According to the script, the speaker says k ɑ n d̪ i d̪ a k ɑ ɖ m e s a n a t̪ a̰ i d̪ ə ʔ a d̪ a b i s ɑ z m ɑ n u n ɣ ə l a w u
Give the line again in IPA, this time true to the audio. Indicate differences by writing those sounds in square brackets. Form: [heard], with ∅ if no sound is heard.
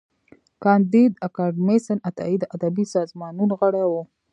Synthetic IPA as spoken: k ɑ n d̪ i d̪ a k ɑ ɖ m e s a n a t̪ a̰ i d̪ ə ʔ a d̪ a b i s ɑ z m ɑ n u n ɣ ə [ɽ] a w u